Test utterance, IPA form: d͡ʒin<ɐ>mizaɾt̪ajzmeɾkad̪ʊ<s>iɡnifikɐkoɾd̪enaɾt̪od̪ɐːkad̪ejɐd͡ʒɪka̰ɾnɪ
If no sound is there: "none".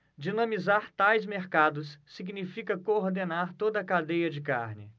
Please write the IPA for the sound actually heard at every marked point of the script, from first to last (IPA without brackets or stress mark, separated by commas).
ɐ̃, sː